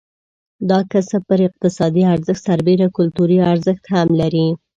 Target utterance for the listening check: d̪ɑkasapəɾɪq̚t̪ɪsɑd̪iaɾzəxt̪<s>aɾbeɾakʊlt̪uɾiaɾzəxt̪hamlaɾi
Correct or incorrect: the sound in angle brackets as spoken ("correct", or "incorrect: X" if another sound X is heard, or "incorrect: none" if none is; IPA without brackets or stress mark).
correct